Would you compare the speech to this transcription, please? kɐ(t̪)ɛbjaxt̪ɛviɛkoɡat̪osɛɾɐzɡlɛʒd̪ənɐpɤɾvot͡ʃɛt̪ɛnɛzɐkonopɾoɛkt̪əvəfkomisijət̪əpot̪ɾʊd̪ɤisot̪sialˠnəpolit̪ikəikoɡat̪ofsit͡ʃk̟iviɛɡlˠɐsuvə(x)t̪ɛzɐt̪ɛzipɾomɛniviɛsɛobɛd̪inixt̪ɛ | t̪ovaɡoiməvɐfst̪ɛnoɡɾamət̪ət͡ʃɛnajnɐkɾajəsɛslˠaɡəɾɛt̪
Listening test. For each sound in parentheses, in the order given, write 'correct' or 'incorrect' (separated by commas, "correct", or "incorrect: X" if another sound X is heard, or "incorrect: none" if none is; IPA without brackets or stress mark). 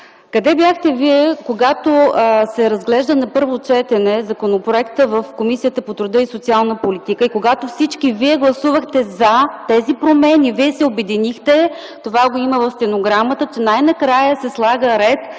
incorrect: d̪, correct